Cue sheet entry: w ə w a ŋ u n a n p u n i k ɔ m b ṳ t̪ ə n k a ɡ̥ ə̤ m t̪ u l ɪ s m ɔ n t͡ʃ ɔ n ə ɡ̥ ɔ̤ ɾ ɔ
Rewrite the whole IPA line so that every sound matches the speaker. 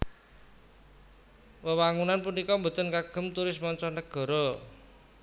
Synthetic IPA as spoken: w ə w a ŋ u n a n p u n i k ɔ m b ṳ t̪ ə n k a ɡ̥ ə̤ m t̪ u ɾ ɪ s m ɔ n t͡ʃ ɔ n ə ɡ̥ ɔ̤ ɾ ɔ